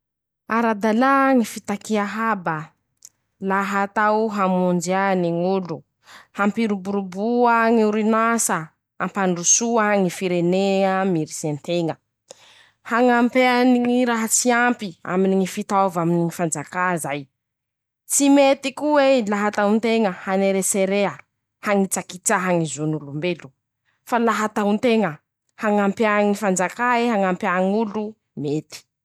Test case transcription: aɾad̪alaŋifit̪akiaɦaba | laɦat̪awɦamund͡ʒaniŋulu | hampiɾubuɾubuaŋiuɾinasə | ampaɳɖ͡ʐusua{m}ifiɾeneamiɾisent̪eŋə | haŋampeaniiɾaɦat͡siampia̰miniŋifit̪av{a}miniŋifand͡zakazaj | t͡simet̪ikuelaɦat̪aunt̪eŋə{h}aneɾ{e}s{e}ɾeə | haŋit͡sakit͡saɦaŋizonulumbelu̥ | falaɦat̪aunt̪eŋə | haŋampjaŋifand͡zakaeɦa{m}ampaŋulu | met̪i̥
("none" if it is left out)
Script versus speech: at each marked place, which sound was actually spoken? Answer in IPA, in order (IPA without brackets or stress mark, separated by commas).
ŋ, a, h, e, e, ŋ